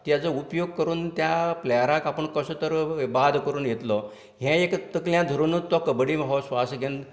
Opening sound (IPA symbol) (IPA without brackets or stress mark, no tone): t̪